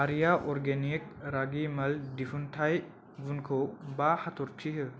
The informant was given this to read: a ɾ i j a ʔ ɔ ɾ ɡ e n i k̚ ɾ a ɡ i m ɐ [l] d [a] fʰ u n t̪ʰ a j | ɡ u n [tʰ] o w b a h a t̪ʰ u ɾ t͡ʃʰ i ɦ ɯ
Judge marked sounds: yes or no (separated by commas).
yes, no, no